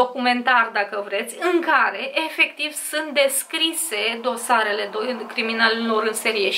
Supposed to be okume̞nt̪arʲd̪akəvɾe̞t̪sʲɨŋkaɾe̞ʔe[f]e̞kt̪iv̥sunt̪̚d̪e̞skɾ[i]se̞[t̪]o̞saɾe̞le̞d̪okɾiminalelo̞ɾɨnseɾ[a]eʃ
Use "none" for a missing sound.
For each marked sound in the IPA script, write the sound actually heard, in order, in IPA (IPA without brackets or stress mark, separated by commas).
f, i, d̪, i